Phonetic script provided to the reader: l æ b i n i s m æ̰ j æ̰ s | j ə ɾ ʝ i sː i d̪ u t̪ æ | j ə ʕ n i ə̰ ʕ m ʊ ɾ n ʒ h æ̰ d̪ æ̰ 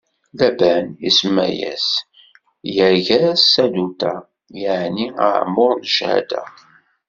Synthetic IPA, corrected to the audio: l æ b æ n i s m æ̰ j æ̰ s | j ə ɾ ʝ æ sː æ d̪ u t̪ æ | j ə ʕ n i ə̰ ʕ m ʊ ɾ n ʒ h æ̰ d̪ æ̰